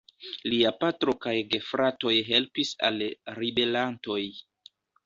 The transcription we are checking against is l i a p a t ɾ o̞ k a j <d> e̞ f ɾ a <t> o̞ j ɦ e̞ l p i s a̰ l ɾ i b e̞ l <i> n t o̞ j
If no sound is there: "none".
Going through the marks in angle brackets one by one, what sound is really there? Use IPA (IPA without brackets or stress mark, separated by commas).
ɡ, t, a